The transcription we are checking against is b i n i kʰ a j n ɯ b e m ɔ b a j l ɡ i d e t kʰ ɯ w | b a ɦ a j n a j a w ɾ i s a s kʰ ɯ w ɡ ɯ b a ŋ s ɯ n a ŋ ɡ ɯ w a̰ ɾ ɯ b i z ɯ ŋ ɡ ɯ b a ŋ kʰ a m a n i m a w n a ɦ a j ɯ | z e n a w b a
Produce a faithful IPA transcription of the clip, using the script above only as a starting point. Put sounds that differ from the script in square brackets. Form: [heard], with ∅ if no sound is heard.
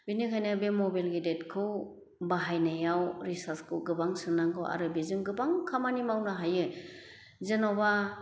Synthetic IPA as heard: b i n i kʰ a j n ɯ b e m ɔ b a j l ɡ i d e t kʰ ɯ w | b a ɦ a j n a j a w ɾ i s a s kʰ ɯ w ɡ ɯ b a ŋ s ɯ n a ŋ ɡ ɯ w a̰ ɾ ɯ b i z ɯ ŋ ɡ ɯ b a ŋ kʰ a m a n i m a w n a ɦ a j ɯ | z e n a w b a

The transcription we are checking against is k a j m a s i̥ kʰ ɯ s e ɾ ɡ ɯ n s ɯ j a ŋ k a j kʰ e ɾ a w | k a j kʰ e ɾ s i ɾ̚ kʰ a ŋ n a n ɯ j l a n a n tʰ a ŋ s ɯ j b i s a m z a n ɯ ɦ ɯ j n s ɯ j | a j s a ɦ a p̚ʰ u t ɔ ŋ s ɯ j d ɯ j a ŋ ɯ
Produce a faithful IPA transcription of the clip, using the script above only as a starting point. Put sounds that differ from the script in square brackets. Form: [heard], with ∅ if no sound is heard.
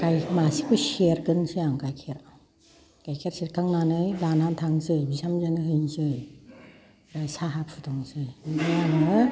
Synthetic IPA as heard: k a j m a s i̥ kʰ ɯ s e ɾ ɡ ɯ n s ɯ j a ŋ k a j kʰ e ɾ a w | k a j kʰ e ɾ s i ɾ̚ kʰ a ŋ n a n ɯ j l a n a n tʰ a ŋ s ɯ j b i s a m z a n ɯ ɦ ɯ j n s ɯ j | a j s a ɦ a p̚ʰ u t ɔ ŋ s ɯ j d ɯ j a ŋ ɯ

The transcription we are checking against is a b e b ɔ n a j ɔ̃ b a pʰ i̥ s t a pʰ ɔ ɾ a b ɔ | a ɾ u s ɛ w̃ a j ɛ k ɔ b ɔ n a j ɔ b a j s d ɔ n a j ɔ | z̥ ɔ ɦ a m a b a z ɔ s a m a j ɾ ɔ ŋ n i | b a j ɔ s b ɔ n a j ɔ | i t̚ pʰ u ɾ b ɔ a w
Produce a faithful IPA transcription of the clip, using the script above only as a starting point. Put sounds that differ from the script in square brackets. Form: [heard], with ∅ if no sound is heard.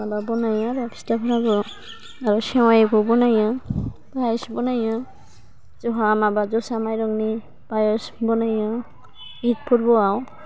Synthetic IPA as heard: a b [a] b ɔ n a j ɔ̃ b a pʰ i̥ s t a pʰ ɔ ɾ a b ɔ | a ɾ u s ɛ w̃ a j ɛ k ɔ b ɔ n a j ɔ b a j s [b] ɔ n a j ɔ | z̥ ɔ ɦ a m a b a z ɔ s a m a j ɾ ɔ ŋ n i | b a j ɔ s b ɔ n a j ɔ | i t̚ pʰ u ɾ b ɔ a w

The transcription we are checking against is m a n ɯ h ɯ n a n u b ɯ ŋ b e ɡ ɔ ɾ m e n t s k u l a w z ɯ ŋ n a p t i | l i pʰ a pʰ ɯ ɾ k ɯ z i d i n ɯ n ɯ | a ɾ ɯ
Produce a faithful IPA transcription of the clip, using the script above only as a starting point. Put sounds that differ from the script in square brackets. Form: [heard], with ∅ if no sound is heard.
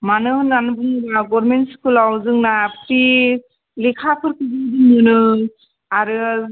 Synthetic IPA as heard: m a n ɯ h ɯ n a n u b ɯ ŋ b [a] ɡ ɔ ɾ m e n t s k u l a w z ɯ ŋ n a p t i | l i [kʰ] a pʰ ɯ ɾ k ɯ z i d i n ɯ n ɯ | a ɾ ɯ

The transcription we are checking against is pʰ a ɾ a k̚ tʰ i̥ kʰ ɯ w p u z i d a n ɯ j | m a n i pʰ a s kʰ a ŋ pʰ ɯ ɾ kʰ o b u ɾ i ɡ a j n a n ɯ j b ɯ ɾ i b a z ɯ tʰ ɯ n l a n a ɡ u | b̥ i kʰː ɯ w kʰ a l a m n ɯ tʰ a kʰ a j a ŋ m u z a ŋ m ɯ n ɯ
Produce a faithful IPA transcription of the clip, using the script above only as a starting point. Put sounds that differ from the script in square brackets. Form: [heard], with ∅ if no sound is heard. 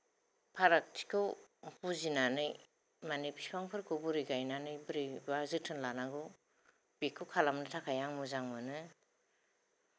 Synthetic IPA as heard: pʰ a ɾ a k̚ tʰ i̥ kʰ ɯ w p u z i [n] a n ɯ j | m a n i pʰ [i] s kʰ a ŋ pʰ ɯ ɾ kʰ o b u ɾ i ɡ a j n a n ɯ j b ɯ ɾ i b a z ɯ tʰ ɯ n l a n a ɡ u | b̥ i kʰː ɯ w kʰ a l a m n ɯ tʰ a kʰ a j a ŋ m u z a ŋ m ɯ n ɯ

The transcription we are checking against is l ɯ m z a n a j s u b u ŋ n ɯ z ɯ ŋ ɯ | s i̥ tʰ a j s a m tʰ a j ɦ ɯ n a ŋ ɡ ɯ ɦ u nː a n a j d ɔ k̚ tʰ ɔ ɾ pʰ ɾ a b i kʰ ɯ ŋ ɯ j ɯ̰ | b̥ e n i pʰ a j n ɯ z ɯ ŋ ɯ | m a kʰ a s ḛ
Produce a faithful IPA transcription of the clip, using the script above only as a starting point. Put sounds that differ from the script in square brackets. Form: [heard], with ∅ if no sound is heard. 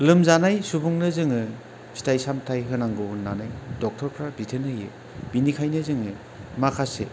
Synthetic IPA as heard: l ɯ m z a n a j s u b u ŋ n ɯ z ɯ ŋ ɯ | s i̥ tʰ a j s a m tʰ a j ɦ ɯ n a ŋ ɡ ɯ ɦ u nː a n a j d ɔ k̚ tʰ ɔ ɾ pʰ ɾ a b i [tʰ] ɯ [n] ɯ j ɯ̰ | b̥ [i] n i [kʰ] a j n ɯ z ɯ ŋ ɯ | m a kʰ a s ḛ

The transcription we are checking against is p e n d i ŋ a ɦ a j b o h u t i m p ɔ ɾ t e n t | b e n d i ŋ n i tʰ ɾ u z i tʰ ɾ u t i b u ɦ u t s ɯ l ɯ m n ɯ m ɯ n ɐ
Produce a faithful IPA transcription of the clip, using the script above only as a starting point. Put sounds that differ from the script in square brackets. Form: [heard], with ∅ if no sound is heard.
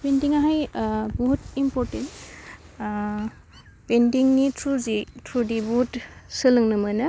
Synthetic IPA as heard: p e n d i ŋ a ɦ a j b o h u t i m p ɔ ɾ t e n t | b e n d i ŋ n i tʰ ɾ u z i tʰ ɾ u [d] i b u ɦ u t s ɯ l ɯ [ŋ] n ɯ m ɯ n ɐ

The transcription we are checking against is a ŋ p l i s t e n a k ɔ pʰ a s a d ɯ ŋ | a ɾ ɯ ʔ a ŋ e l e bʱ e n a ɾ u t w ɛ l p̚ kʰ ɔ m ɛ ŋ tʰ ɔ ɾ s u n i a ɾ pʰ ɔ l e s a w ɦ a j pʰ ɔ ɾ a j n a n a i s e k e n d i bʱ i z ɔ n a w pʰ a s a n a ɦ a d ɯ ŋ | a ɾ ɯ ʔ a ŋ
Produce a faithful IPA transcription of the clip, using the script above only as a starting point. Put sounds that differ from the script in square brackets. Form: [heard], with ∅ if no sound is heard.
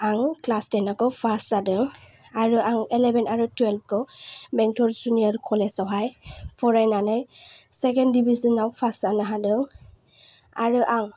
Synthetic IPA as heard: a ŋ [k] l [a] s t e n a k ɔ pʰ a s a d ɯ ŋ | a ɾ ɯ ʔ a ŋ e l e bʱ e n a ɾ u t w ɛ l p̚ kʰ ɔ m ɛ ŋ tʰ ɔ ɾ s u n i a ɾ [kʰ] ɔ l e s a w ɦ a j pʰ ɔ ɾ a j n a n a [j] s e k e n d i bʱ i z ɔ n a w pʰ a s a n a ɦ a d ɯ ŋ | a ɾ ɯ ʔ a ŋ

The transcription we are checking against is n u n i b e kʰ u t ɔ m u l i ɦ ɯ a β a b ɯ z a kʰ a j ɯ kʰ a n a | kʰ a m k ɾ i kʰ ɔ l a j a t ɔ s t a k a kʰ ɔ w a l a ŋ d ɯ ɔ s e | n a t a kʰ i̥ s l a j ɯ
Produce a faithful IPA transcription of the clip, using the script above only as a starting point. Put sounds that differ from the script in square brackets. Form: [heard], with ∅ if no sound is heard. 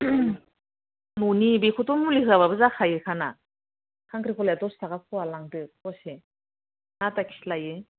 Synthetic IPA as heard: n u n i b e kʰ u t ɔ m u l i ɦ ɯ a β a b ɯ z a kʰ a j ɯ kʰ a n a | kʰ a [ŋ] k ɾ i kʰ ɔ l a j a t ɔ s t a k a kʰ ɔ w a l a ŋ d ɯ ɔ s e | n a t a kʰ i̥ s l a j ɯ

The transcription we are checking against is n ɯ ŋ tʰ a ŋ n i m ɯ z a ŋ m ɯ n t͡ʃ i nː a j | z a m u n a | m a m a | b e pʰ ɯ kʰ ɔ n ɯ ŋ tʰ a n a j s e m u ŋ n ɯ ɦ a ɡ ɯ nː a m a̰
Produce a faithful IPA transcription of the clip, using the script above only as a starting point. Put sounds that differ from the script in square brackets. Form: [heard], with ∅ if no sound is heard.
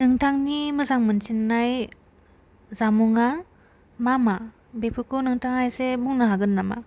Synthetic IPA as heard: n ɯ ŋ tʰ a ŋ n i m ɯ z a ŋ m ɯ n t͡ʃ i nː a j | z a m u [ŋ] a | m a m a | b e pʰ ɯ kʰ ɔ n ɯ ŋ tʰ a [ŋ] a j s e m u ŋ n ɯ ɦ a ɡ ɯ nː a m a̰

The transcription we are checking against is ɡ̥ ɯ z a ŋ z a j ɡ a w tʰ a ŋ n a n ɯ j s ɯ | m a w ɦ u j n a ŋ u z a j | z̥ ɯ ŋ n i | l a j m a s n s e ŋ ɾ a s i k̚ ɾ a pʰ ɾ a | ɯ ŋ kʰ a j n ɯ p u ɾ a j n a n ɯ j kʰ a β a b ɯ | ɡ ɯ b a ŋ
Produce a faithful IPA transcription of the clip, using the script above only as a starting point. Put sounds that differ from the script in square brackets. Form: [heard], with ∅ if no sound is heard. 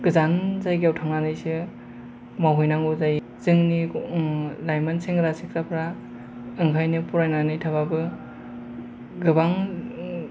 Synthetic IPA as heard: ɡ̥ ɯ z a [n] z a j ɡ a w tʰ a ŋ n a n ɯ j s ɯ | m a w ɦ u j n a ŋ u z a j | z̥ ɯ ŋ n i | l a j m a [∅] n s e ŋ ɾ a s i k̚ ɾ a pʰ ɾ a | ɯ ŋ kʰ a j n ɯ p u ɾ a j n a n ɯ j [tʰ] a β a b ɯ | ɡ ɯ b a ŋ

